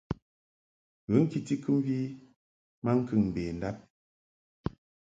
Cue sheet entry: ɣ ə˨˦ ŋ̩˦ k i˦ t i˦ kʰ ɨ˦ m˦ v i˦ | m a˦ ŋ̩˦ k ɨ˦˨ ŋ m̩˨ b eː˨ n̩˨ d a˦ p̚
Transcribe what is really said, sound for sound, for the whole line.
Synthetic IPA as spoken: ɣ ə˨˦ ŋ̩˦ k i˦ t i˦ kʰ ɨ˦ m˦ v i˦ | m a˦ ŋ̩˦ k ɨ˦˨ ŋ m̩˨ b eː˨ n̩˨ d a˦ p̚